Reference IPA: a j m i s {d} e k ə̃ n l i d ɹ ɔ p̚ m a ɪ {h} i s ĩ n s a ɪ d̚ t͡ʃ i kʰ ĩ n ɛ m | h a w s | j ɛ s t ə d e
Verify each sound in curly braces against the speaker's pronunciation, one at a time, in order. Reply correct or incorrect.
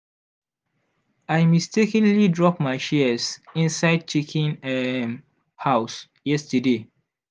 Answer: incorrect: t, incorrect: ʃ

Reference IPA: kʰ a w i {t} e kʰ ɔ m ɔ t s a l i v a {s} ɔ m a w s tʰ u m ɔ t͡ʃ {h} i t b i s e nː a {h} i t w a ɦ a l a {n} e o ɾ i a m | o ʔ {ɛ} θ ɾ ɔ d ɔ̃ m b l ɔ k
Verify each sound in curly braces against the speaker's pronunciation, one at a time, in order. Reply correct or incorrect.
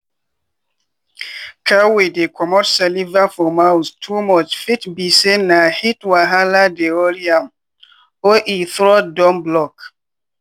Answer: incorrect: d, incorrect: f, incorrect: f, correct, incorrect: d, incorrect: i

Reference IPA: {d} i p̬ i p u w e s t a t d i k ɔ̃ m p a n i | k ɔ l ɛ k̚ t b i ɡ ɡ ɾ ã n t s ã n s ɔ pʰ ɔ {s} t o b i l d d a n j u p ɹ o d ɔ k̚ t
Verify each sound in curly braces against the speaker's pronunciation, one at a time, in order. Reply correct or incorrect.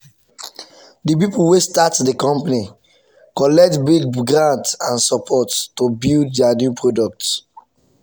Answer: correct, incorrect: t

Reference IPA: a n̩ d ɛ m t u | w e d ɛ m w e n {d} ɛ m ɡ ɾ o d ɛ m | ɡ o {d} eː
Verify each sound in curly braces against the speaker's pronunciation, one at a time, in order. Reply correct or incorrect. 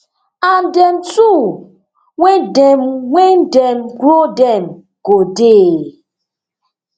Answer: correct, correct

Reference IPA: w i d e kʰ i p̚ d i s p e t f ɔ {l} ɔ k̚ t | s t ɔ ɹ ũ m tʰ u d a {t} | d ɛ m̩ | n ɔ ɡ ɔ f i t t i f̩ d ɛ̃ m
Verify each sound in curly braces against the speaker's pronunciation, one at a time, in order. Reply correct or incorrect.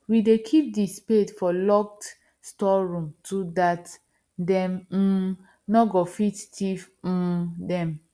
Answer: correct, correct

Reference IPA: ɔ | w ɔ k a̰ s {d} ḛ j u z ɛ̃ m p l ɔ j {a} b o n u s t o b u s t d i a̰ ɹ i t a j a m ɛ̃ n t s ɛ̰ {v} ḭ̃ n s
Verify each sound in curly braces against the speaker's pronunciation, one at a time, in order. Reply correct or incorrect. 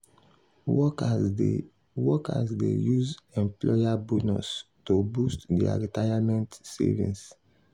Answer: correct, correct, correct

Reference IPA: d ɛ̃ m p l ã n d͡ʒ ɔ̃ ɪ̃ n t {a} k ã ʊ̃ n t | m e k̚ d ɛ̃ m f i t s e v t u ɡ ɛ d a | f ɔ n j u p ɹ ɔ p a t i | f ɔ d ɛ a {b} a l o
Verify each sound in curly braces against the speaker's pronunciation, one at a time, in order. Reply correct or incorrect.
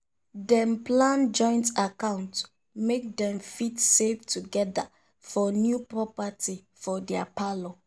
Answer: correct, incorrect: p

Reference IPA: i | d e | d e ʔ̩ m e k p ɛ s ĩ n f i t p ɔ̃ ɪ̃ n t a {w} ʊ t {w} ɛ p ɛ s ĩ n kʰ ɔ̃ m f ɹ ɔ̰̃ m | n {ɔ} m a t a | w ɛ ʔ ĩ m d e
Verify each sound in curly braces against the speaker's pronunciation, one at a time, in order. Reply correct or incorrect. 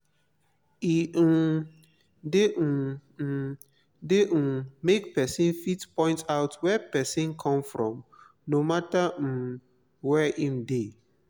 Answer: incorrect: none, correct, incorrect: o

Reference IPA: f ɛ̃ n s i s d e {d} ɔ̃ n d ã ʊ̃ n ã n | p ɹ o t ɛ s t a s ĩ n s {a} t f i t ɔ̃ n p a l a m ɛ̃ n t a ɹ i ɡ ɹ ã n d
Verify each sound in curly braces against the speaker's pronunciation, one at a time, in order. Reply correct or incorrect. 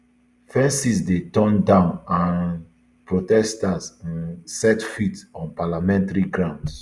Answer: incorrect: t, incorrect: ɛ

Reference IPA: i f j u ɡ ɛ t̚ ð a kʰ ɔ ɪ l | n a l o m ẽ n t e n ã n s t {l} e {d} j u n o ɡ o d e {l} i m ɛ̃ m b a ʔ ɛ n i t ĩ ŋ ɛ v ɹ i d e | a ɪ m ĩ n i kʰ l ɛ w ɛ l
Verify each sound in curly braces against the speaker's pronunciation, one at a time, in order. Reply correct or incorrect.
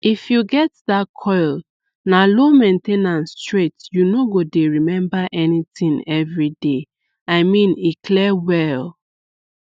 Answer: incorrect: ɹ, incorrect: t, incorrect: ɹ

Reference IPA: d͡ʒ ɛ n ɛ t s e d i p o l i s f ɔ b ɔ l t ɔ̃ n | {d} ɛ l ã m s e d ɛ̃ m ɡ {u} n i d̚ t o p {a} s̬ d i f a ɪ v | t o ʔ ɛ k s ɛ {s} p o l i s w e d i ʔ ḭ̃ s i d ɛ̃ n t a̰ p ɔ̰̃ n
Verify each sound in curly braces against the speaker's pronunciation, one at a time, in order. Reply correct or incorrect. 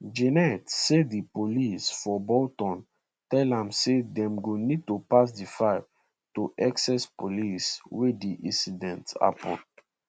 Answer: incorrect: t, incorrect: o, correct, correct

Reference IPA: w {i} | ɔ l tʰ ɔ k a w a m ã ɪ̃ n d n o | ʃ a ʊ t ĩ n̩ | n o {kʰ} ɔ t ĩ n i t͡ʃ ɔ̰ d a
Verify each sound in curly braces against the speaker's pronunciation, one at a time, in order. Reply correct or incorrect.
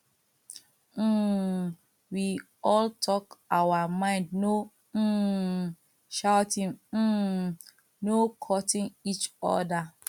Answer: correct, correct

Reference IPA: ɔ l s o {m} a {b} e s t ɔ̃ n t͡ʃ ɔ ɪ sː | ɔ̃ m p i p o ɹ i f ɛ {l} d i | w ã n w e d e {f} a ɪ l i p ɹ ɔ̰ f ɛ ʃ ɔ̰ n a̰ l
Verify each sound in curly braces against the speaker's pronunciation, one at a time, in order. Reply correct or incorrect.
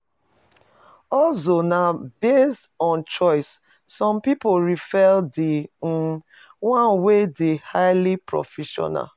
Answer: incorrect: n, correct, correct, incorrect: h

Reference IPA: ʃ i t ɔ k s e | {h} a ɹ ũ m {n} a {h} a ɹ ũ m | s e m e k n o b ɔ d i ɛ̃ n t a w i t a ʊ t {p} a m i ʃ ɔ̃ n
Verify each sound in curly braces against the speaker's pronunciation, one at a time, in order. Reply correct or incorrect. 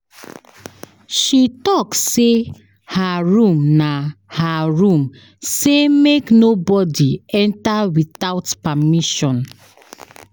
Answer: correct, correct, correct, correct

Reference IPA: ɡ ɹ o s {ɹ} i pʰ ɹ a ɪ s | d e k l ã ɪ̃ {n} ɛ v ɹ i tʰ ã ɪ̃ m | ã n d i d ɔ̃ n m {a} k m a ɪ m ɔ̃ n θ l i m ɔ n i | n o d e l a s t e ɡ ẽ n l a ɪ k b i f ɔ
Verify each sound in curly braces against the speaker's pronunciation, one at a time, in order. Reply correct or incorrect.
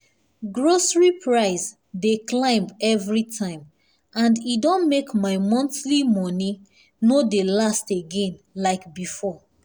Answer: correct, incorrect: m, incorrect: e

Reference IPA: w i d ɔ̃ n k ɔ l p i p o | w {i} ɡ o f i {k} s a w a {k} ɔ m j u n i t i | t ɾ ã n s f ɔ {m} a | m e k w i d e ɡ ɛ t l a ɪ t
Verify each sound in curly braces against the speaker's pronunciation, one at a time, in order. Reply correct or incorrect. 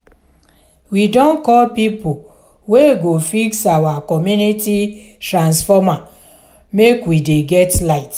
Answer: incorrect: e, correct, correct, correct

